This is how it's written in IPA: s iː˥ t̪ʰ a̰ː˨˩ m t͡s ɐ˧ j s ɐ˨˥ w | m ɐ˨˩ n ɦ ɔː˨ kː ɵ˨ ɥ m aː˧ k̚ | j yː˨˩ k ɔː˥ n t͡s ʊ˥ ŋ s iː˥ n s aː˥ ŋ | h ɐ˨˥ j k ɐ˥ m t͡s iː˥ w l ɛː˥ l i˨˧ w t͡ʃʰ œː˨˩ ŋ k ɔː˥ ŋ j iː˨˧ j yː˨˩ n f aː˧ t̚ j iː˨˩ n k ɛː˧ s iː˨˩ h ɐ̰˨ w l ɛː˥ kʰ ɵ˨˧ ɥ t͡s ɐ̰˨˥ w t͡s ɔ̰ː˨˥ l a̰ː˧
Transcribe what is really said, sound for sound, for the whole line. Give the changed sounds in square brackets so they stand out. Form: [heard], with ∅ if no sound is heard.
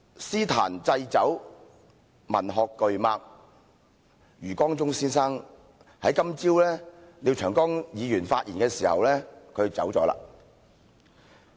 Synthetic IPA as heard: s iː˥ t̪ʰ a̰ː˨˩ [n] t͡s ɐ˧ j [t͡s] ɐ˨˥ w | m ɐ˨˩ n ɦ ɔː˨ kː ɵ˨ ɥ m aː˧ k̚ | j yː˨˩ k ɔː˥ [ŋ] t͡s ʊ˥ ŋ s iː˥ n s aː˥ ŋ | h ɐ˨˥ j k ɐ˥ m t͡s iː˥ w l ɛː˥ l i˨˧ w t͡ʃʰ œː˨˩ ŋ k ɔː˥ ŋ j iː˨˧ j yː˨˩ n f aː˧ t̚ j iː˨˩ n k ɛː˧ s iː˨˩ h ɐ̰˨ w l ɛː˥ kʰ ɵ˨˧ ɥ t͡s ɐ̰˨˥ w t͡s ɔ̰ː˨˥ l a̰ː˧